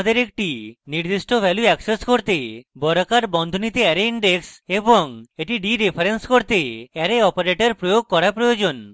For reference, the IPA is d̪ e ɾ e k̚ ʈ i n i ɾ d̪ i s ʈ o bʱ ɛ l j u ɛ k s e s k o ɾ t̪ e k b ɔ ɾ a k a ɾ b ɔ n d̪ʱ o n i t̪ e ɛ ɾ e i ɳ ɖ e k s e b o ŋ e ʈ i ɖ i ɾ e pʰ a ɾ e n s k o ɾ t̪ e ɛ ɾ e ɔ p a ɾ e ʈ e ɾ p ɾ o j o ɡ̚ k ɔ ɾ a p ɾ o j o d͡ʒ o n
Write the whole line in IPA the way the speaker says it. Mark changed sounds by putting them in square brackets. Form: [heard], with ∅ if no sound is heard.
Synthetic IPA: d̪ e ɾ e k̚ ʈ i n i ɾ d̪ i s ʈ o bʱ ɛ l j u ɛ k s e s k o ɾ t̪ e [∅] b ɔ ɾ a k a ɾ b ɔ n d̪ʱ o n i t̪ e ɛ ɾ e i ɳ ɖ e k s e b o ŋ e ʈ i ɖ i ɾ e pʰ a ɾ e n s k o ɾ t̪ e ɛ ɾ e ɔ p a ɾ e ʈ e ɾ p ɾ o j o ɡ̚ k ɔ ɾ a p ɾ o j o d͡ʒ o n